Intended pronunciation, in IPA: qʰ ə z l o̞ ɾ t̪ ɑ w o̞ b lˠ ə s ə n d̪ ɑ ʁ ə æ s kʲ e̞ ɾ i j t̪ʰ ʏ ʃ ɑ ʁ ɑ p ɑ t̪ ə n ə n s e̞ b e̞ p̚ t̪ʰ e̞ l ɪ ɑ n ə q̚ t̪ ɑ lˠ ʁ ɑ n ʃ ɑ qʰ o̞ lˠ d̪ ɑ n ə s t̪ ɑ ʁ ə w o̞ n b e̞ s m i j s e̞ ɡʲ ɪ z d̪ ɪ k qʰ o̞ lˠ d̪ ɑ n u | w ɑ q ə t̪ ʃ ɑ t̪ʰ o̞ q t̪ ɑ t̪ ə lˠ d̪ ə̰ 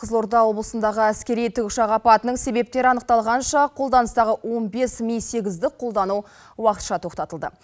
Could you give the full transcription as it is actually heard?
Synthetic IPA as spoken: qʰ ə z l o̞ ɾ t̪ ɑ w o̞ b lˠ ə s ə n d̪ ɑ ʁ ə æ s kʲ e̞ ɾ i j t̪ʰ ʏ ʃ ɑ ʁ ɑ p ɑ t̪ ə n ə ɴ s e̞ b e̞ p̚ t̪ e̞ ɾ ɪ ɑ n ə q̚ t̪ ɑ lˠ ʁ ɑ n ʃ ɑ qʰ o̞ lˠ d̪ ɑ n ə s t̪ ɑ ʁ ə w o̞ n b e̞ s m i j s e̞ ɡʲ ɪ z d̪ ɪ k qʰ o̞ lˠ d̪ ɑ n u | w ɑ q ə t̪ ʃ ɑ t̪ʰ o̞ q t̪ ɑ t̪ ə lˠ d̪ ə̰

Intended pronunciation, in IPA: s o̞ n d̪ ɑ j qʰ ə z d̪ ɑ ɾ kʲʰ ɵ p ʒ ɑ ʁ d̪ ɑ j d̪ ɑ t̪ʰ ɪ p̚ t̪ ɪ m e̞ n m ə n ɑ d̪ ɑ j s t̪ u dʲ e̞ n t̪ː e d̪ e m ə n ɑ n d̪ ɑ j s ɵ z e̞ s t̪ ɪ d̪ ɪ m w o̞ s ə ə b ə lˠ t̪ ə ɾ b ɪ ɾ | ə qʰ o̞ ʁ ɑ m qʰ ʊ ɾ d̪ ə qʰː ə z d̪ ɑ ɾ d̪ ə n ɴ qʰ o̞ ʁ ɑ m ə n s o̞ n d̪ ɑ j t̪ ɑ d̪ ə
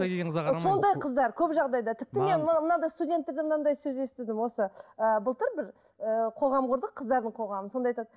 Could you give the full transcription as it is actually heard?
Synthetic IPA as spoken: s o̞ n d̪ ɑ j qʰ ə z d̪ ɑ ɾ kʲʰ ɵ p ʒ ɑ ʁ d̪ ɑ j d̪ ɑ t̪ʰ ɪ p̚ t̪ ɪ m e̞ n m ə n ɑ d̪ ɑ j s t̪ u dʲ e̞ n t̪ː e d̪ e m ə n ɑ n d̪ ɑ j s ɵ z e̞ s t̪ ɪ d̪ ɪ m w o̞ s ə ə b ə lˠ t̪ ə ɾ b ɪ ɾ | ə qʰ o̞ ʁ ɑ m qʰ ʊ ɾ d̪ ə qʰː ə z d̪ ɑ ɾ d̪ ə ɴ qʰ o̞ ʁ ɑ m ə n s o̞ n d̪ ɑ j t̪ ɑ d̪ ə

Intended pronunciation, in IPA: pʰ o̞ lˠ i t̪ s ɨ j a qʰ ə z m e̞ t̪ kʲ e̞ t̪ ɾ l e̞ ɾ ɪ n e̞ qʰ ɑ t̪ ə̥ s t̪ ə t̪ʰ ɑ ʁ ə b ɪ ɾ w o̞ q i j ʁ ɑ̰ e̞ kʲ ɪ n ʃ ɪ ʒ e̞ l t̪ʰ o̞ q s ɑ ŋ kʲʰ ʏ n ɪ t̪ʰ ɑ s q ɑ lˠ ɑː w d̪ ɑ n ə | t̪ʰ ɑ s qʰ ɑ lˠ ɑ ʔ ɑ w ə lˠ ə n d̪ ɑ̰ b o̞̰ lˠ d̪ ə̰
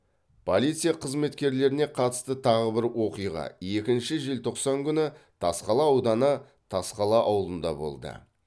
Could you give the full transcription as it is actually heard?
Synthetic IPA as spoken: pʰ o̞ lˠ i t̪ s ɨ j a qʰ ə z m e̞ t̪ kʲ e̞ ɾ l e̞ ɾ ɪ n e̞ qʰ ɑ t̪ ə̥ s t̪ ə t̪ʰ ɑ ʁ ə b ɪ ɾ w o̞ q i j ʁ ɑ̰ e̞ kʲ ɪ n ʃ ɪ ʒ e̞ l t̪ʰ o̞ q s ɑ ŋ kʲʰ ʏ n ɪ t̪ʰ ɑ s q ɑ lˠ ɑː w d̪ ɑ n ə | t̪ʰ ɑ s q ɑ lˠ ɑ ʔ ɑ w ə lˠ ə n d̪ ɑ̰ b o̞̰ lˠ d̪ ə̰

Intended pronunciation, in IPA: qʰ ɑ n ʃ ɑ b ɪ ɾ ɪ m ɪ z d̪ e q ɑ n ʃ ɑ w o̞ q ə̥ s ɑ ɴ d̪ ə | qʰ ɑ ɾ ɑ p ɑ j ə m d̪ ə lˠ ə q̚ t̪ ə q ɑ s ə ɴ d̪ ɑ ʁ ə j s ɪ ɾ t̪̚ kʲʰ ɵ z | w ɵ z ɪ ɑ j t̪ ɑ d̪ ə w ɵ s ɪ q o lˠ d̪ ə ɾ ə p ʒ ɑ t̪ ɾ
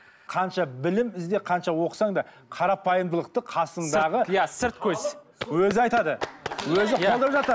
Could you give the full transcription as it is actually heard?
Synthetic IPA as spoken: qʰ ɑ n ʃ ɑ b ɪ l ɪ m ɪ z d̪ e qʰ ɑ n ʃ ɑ w o̞ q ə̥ s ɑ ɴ d̪ ɑ | qʰ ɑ ɾ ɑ p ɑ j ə m d̪ ə lˠ ə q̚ t̪ ə qʰ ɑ s ə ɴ d̪ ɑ ʁ ə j s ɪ ɾ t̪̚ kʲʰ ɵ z | w ɵ z ɪ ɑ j t̪ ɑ d̪ ə w ɵ z ɪ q o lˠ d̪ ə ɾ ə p ʒ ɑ t̪ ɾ

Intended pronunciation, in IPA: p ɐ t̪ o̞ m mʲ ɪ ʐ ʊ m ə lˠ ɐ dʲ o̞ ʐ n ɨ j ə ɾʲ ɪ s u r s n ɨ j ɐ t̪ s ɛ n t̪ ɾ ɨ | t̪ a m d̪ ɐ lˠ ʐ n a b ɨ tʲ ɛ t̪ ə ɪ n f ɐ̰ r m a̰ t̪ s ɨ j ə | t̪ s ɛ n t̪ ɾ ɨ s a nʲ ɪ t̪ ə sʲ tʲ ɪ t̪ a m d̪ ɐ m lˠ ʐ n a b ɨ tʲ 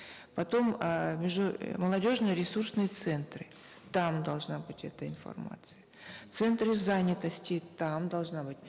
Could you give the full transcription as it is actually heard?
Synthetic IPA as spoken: p ɐ t̪ o̞ m mʲ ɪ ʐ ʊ m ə lˠ ɐ dʲ o̞ ʐ n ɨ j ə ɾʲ ɪ s u r s n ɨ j ə t̪ s ɛ n t̪ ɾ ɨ | t̪ a m d̪ ɐ lˠ ʐ n a b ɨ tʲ ɛ t̪ ə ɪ n f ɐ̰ r m a̰ t̪ s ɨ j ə | t̪ s ɛ n t̪ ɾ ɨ z a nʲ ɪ t̪ ə sʲ tʲ ɪ t̪ a m d̪ ɐ lˠ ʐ n a b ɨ tʲ

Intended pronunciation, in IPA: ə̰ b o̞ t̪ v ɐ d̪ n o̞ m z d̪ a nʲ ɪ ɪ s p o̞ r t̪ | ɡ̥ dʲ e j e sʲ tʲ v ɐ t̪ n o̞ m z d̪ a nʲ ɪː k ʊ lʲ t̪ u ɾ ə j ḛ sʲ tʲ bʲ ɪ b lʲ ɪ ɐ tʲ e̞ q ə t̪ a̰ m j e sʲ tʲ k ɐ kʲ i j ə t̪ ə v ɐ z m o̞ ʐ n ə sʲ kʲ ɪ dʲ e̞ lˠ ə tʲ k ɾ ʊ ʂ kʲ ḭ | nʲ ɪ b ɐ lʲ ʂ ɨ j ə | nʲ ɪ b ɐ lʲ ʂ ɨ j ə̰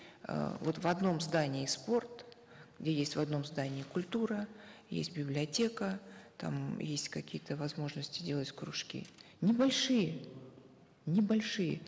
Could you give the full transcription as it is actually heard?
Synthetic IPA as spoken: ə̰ v o̞ t̪ v ɐ d̪ n o̞ m z d̪ a nʲ ɪ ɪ s p o̞ r t̪ | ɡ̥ dʲ e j e sʲ tʲ v ɐ d̪ n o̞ m z d̪ a nʲ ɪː k ʊ lʲ t̪ u ɾ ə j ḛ sʲ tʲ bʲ ɪ b lʲ ɪ ɐ tʲ e̞ k ə t̪ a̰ m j e sʲ tʲ k ɐ kʲ i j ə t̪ ə v ɐ z m o̞ ʐ n ə sʲ tʲ ɪ dʲ e̞ lˠ ə tʲ k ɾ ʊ ʂ kʲ ḭ | nʲ ɪ b ɐ lʲ ʂ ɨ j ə | nʲ ɪ b ɐ lʲ ʂ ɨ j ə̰

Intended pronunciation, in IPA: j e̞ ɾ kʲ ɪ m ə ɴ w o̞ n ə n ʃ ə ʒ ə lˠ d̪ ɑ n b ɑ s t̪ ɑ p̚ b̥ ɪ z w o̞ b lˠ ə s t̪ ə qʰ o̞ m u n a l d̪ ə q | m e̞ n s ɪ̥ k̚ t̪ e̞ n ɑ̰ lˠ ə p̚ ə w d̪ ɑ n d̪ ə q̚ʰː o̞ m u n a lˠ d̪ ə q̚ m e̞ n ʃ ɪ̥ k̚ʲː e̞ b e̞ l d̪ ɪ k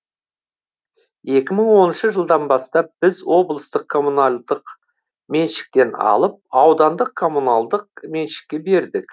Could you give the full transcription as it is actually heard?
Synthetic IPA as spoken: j e̞ kʲ ɪ m ə ɴ w o̞ n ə n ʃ ə ʒ ə lˠ d̪ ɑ n b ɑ s t̪ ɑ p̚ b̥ ɪ z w o̞ b lˠ ə s t̪ ə qʰ o̞ m u n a l d̪ ə q | m e̞ n ʃ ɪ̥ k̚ t̪ e̞ n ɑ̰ lˠ ə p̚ ɑ w d̪ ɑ n d̪ ə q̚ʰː o̞ m u n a lˠ d̪ ə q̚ m e̞ n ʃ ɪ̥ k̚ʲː e̞ b e̞ ɾ d̪ ɪ k

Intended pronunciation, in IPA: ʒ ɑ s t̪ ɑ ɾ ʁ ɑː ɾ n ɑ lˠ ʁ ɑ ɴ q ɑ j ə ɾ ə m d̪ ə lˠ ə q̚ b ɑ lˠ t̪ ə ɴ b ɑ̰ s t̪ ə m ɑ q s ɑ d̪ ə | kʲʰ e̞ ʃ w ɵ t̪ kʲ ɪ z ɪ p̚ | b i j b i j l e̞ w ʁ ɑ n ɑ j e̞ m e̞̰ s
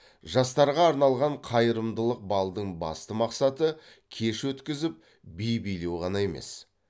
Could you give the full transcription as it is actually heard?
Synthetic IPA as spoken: ʒ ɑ s t̪ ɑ ɾ ʁ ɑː ɾ n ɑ lˠ ʁ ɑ ɴ qʰ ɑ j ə ɾ ə m d̪ ə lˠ ə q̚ b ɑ lˠ d̪ ə ɴ b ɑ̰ s t̪ ə m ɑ q s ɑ t̪ ə | kʲʰ e̞ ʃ w ɵ t̪ kʲ ɪ z ɪ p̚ | b i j b i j l e̞ w ʁ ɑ n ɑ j e̞ m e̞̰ s

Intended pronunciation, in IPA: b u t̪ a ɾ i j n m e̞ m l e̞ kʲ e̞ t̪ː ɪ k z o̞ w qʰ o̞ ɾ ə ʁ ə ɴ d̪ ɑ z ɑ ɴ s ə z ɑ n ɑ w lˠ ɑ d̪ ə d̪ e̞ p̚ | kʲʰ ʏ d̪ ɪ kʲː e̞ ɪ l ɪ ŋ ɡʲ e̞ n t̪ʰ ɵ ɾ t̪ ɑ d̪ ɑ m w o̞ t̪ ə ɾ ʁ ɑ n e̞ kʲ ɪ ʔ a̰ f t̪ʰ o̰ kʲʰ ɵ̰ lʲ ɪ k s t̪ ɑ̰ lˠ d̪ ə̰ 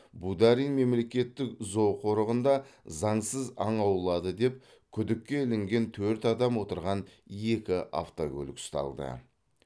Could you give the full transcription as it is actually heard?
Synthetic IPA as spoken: b u d̪ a ɾ i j n m e̞ m l e̞ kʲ e̞ t̪ː ɪ k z o̞ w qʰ o̞ ɾ ə ʁ ə n d̪ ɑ z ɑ ɴ s ə z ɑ ɴ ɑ w lˠ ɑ d̪ ə d̪ e̞ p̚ | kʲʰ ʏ d̪ ɪ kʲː e̞ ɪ l ɪ ŋ ɡʲ e̞ n t̪ʰ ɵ ɾ t̪ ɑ d̪ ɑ m w o̞ t̪ ə ɾ ʁ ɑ n e̞ kʲ ɪ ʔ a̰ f t̪ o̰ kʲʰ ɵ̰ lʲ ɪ k s t̪ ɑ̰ lˠ d̪ ə̰

